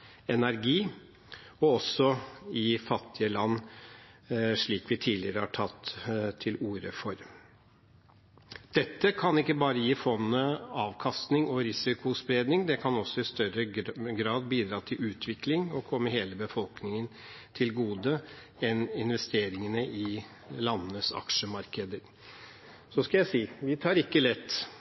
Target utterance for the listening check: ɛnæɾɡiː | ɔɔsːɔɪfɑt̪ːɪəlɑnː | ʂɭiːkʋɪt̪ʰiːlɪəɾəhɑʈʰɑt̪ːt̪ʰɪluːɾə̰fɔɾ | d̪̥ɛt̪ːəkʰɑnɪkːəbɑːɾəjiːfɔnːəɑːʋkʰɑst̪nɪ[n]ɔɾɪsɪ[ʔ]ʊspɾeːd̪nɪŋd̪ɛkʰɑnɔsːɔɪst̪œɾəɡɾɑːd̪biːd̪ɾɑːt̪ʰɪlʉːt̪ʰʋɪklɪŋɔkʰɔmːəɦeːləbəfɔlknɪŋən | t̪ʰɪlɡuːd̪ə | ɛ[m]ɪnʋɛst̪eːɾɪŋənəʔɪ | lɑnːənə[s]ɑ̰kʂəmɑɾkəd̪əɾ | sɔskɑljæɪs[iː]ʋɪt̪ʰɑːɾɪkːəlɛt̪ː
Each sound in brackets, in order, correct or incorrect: incorrect, incorrect, incorrect, correct, correct

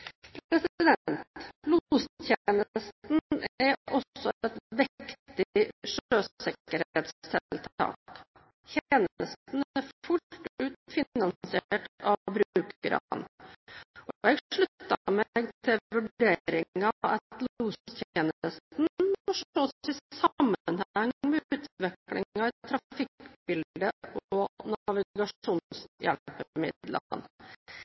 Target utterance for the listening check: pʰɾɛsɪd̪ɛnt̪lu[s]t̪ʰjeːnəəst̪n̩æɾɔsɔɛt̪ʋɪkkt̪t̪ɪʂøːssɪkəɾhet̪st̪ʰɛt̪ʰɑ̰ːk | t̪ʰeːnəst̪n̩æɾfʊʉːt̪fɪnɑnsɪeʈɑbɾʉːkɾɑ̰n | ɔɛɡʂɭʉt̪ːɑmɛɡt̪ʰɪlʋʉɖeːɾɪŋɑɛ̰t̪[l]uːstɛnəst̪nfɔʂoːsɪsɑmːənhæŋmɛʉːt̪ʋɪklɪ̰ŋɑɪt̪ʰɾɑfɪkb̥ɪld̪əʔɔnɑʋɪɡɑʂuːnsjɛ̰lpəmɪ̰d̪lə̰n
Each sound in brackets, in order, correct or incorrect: correct, correct

